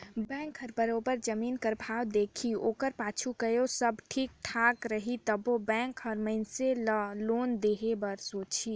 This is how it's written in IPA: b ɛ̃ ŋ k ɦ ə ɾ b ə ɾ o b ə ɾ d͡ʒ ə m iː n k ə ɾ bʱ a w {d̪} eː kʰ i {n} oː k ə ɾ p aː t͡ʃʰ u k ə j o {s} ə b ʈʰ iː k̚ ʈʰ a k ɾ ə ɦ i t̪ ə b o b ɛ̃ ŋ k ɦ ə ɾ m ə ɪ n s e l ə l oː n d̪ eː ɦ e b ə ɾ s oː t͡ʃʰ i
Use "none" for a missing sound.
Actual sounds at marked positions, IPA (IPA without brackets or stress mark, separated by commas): d̪, none, s